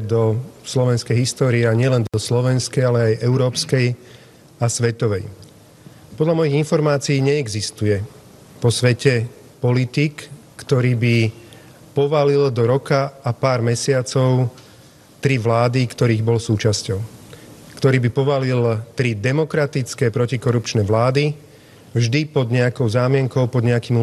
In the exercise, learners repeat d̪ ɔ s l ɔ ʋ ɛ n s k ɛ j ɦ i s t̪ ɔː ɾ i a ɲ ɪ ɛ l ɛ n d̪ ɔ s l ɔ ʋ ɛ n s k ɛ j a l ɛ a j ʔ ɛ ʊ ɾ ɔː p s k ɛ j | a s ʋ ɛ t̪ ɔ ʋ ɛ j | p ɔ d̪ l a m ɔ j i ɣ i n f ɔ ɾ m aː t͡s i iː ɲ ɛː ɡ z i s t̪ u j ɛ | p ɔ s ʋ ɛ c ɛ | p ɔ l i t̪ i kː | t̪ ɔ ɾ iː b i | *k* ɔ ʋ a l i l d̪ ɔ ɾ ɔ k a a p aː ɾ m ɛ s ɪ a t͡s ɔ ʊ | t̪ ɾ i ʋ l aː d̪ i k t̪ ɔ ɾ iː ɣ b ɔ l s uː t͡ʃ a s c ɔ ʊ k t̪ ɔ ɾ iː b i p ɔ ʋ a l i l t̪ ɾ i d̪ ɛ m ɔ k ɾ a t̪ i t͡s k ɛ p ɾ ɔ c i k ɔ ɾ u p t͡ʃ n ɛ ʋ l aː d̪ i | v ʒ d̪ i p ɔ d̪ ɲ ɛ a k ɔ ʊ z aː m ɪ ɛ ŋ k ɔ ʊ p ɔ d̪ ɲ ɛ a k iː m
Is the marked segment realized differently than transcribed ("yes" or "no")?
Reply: yes